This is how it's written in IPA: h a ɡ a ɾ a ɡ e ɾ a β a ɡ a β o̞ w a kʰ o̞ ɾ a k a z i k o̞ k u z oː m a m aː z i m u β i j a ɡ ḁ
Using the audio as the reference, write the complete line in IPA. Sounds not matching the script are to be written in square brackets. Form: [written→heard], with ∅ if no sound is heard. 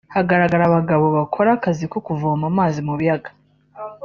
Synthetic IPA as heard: h a ɡ a ɾ a ɡ [e→a] ɾ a β a ɡ a β o̞ [w→β] a kʰ o̞ ɾ a k a z i k o̞ k u [z→v] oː m a m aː z i m u β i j a ɡ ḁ